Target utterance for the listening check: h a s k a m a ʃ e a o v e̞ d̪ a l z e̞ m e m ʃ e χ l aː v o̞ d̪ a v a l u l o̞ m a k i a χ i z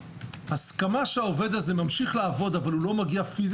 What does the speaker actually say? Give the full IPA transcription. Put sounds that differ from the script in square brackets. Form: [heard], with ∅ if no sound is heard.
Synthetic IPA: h a s k a m a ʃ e a o v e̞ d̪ a [∅] z e̞ m [a] m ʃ [i] χ l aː v o̞ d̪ a v a l u l o̞ m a [ɡ] i a [f] i z